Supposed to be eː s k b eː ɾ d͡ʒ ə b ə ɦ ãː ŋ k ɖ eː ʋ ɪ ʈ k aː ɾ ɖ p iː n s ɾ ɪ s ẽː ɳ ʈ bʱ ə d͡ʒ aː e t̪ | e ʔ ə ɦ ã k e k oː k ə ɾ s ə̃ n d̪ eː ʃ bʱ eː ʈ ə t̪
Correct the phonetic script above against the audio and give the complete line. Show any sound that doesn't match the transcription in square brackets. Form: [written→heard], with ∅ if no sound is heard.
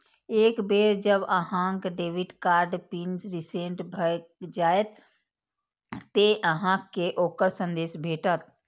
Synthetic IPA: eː [s→∅] k b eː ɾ d͡ʒ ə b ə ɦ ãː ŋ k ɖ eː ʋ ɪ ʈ k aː ɾ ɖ p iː n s ɾ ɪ s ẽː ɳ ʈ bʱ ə d͡ʒ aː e t̪ | e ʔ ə ɦ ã k e [k→ʔ] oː k ə ɾ s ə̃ n d̪ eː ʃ bʱ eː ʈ ə t̪